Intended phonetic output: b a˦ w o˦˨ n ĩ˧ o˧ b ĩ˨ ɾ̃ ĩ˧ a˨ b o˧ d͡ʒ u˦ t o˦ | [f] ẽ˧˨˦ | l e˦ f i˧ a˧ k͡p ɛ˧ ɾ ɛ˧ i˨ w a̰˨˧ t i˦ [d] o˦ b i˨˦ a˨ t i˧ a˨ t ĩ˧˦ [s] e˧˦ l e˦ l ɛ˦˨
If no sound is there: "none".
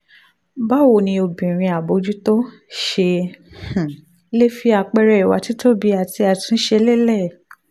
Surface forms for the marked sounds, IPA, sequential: ʃ, t, ʃ

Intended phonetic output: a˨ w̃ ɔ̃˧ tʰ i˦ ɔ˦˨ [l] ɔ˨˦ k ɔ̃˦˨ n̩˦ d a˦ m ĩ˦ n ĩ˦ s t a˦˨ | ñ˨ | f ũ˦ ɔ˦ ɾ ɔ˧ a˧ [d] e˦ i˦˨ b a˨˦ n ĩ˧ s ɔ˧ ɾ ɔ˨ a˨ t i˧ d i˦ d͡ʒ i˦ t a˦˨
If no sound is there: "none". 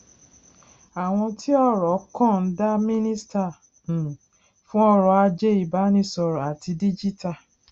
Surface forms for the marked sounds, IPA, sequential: ɾ, d͡ʒ

